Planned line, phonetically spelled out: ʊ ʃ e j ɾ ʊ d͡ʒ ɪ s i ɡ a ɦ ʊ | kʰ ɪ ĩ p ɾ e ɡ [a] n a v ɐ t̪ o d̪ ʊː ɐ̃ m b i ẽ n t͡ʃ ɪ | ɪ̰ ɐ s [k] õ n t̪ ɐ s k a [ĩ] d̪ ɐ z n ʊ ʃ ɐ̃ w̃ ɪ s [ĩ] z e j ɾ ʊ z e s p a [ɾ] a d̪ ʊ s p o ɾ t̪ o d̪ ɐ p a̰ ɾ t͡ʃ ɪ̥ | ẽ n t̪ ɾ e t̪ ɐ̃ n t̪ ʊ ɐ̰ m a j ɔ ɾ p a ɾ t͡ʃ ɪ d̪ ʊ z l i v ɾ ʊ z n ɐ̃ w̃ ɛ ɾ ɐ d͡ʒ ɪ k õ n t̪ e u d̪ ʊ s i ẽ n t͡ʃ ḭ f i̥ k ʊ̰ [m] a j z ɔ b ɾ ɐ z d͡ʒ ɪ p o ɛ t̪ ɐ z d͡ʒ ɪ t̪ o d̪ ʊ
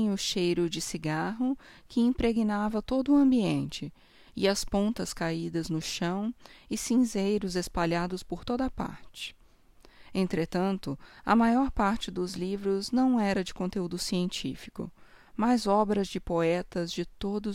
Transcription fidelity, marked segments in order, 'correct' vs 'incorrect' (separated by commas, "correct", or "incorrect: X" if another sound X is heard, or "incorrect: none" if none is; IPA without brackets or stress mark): incorrect: i, incorrect: p, incorrect: i, correct, incorrect: ʎ, correct